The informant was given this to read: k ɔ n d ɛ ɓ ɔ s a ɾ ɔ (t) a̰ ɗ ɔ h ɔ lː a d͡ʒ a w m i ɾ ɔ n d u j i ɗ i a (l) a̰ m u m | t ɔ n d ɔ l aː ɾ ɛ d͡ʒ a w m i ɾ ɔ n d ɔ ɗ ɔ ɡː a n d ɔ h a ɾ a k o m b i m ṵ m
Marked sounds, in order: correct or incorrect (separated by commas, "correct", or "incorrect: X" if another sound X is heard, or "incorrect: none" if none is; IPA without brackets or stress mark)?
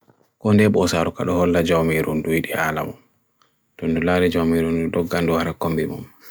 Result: incorrect: k, correct